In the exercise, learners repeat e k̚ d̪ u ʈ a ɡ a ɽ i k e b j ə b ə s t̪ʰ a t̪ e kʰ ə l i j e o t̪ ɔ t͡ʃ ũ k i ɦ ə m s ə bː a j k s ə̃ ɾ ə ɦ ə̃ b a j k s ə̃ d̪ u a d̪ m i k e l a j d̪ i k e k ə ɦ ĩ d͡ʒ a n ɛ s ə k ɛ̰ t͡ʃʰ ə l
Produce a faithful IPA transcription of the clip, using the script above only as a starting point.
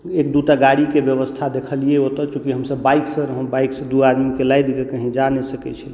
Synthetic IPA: e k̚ d̪ u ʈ a ɡ a ɽ i k e b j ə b ə s t̪ʰ a d̪ e kʰ ə l i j e o t̪ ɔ t͡ʃ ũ k i ɦ ə m s ə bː a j k s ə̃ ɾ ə ɦ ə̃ b a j k s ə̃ d̪ u a d̪ m i k e l a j d̪ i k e k ə ɦ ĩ d͡ʒ a n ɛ s ə k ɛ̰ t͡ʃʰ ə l